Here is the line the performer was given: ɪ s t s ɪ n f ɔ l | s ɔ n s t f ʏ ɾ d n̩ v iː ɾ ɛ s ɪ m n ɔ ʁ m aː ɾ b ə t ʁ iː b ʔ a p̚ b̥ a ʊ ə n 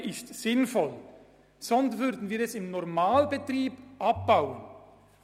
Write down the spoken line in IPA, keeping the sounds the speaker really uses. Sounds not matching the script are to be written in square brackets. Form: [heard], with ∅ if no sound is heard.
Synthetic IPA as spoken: ɪ s t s ɪ n f ɔ l | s ɔ n s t [v] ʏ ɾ d n̩ v iː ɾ ɛ s ɪ m n ɔ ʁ m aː [l] b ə t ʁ iː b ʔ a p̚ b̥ a ʊ ə n

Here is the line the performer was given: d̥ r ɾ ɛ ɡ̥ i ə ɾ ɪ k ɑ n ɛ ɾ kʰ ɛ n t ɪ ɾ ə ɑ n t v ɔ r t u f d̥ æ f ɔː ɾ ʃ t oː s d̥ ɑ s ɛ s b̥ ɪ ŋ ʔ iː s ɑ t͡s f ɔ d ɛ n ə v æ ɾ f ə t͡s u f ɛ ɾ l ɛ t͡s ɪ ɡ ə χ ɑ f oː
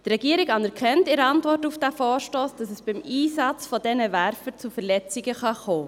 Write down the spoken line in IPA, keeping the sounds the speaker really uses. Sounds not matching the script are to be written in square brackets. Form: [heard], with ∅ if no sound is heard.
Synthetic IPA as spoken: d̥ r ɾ ɛ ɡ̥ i ə ɾ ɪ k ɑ n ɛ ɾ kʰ ɛ n t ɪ ɾ ə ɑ n t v ɔ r t u f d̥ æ f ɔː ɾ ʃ t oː s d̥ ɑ s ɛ s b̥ ɪ [m] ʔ iː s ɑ t͡s f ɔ d ɛ n ə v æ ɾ f ə t͡s u f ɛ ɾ l ɛ t͡s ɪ ɡ ə χ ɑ [χ] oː

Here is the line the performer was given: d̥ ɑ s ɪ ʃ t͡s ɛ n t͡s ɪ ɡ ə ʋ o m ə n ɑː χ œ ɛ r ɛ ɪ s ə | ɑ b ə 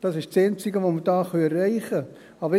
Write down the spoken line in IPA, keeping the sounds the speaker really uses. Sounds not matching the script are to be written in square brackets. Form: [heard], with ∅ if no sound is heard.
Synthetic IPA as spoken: d̥ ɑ s ɪ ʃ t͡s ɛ n t͡s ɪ ɡ ə ʋ o m ə [d] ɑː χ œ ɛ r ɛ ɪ [χ] ə | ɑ b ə

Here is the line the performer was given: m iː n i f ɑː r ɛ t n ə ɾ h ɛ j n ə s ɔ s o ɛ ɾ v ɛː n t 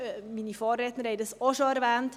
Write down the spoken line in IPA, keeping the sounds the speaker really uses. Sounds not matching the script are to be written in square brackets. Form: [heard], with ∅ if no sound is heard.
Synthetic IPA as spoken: m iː n i f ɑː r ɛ t n ə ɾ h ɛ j [d] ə s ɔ [ʃ] o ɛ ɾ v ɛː n t

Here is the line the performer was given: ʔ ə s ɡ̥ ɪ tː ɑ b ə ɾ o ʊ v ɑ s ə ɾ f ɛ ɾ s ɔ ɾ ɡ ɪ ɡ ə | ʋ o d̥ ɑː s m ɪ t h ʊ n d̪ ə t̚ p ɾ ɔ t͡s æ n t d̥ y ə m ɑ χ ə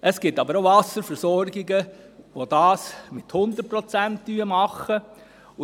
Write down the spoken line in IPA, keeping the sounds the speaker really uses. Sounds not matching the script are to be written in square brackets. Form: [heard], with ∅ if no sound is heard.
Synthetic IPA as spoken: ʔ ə s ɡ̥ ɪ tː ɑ b ə ɾ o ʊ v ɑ s ə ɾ f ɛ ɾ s ɔ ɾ ɡ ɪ ɡ ə | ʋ o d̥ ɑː s m ɪ t h ʊ n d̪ ə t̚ p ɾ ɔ t͡s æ n t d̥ y ə m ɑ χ ə

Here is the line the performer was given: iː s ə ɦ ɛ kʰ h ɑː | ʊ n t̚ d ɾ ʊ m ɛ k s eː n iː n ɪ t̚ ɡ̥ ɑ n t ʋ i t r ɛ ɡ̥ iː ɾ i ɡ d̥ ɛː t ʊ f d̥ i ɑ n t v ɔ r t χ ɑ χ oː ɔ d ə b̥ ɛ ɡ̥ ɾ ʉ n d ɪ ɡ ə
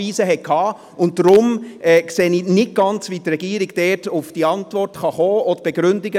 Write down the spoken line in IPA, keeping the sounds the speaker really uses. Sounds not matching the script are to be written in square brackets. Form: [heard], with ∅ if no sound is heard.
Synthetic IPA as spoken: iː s ə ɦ ɛ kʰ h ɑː | ʊ n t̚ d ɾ ʊ m ɛ k s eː n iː n ɪ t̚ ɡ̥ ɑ n [t͡s] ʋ i t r ɛ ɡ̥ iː ɾ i ɡ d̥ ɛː t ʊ f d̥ i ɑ n t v ɔ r t χ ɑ χ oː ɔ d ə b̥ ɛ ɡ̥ ɾ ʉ n d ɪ ɡ ə

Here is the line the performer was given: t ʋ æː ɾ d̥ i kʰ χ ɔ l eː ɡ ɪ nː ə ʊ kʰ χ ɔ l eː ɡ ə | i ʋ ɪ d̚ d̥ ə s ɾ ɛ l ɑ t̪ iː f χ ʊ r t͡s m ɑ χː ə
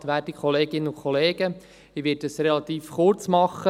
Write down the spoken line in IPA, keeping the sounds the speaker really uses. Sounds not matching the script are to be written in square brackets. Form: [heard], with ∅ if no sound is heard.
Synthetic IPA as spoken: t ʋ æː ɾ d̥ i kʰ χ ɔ l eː ɡ ɪ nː ə ʊ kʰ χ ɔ l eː ɡ ə | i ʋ ɪ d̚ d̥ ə s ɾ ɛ l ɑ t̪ iː f χ ʊ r t͡s m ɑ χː ə

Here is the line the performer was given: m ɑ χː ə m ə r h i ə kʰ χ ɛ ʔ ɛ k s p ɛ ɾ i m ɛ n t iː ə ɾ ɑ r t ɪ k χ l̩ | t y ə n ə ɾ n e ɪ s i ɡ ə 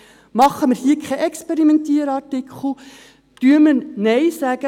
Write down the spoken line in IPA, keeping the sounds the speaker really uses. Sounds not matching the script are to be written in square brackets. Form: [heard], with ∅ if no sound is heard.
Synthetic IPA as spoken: m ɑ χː ə m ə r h i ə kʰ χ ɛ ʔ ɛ k s p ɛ ɾ i m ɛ n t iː ə ɾ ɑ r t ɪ k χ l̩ | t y ə [m] ə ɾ n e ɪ s [æ] ɡ ə

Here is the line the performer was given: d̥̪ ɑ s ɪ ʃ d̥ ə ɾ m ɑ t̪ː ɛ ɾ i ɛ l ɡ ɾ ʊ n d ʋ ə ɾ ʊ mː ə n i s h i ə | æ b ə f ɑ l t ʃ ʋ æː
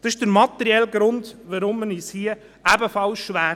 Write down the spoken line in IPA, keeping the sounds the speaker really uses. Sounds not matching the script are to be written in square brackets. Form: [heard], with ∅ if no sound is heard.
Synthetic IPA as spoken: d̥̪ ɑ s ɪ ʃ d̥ ə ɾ m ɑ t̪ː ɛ ɾ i ɛ l ɡ ɾ ʊ n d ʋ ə ɾ ʊ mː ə n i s h i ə | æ b ə f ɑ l [s] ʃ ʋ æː

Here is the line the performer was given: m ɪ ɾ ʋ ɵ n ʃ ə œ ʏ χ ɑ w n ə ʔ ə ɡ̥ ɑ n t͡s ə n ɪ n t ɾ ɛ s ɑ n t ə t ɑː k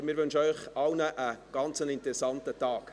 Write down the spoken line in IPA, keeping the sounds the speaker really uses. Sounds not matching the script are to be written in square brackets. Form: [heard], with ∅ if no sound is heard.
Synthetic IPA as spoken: m ɪ ɾ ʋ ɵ n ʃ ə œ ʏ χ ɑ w n ə ʔ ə ɡ̥ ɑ n t͡s ə n ɪ n t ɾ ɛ s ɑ n t ə t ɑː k

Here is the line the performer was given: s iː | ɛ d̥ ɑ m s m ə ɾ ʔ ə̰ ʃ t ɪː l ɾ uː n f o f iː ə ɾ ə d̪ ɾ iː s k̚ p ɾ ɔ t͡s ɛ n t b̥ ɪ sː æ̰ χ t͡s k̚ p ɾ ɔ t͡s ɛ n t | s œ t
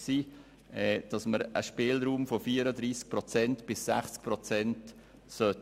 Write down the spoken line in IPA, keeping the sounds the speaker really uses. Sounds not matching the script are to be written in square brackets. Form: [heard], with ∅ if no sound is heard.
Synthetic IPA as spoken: s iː | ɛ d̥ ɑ [∅] s m ə ɾ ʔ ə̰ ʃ [p] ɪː l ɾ uː [m] f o f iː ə ɾ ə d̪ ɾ iː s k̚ p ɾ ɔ t͡s ɛ n t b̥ ɪ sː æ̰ χ t͡s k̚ p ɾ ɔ t͡s ɛ n t | s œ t

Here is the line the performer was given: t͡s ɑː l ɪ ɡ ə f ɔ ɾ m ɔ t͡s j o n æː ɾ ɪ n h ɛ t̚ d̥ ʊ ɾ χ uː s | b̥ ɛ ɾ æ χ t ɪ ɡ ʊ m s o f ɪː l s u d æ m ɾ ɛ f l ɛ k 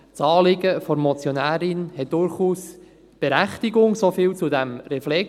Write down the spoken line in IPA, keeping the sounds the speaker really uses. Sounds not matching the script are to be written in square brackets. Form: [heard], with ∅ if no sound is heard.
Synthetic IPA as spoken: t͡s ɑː l ɪ ɡ ə f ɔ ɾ m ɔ t͡s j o n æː ɾ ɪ n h ɛ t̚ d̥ ʊ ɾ χ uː s | b̥ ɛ ɾ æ χ t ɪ ɡ ʊ [ŋ] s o f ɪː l [t͡s] u d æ m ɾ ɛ f l ɛ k

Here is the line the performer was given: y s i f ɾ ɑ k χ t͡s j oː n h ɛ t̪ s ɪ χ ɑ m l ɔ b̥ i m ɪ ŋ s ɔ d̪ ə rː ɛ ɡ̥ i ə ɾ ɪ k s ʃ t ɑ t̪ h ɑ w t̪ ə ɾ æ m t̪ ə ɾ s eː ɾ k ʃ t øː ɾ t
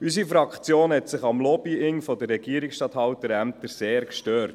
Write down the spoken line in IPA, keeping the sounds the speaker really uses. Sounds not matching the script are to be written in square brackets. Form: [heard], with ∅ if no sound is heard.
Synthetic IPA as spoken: y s i f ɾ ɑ k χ t͡s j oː n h ɛ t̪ s ɪ χ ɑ m l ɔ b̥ i [∅] ɪ ŋ [f] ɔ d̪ ə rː ɛ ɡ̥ i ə ɾ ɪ k s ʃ t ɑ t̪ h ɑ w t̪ ə ɾ æ m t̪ ə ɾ s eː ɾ k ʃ t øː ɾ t

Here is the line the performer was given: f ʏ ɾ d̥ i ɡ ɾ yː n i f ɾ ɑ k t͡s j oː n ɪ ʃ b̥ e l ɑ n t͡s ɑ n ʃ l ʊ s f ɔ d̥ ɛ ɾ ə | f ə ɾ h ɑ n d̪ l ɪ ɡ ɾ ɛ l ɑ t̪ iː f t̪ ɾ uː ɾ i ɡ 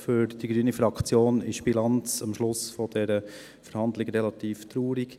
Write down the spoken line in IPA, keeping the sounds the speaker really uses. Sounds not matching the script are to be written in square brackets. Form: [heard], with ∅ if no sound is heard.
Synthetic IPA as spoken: f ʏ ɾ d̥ i ɡ ɾ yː n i f ɾ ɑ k t͡s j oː n ɪ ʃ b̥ [i] l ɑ n t͡s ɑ [m] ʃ l ʊ s f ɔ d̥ ɛ ɾ ə | f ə ɾ h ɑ n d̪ l ɪ ɡ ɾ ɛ l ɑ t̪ iː f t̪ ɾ uː ɾ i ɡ

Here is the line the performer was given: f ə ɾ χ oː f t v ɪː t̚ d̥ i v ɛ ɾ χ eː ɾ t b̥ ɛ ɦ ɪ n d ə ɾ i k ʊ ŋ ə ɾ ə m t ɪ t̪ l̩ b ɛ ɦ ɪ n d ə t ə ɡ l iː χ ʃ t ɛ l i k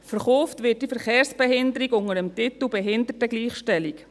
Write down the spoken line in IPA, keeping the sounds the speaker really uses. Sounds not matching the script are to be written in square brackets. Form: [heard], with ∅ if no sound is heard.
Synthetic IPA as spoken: f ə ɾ χ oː f t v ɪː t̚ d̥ i [f] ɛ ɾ χ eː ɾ [s] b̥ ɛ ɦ ɪ n d ə ɾ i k ʊ ŋ ə ɾ ə m t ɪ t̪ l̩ b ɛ ɦ ɪ n d ə t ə ɡ l iː χ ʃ t ɛ l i k

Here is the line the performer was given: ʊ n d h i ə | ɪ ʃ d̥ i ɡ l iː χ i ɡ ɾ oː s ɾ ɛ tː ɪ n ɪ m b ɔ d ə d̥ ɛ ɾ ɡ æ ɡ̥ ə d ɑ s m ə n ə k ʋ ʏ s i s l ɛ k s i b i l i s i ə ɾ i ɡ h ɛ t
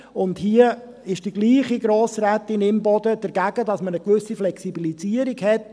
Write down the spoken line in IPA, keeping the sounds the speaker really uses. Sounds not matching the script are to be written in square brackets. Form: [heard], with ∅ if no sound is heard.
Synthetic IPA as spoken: ʊ n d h i ə | ɪ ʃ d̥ i ɡ l iː χ i ɡ ɾ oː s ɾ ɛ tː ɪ n ɪ m b ɔ d ə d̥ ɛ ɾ ɡ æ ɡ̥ ə d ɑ s m ə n ə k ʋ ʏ s i [f] l ɛ k s i b i l i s i ə ɾ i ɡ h ɛ t

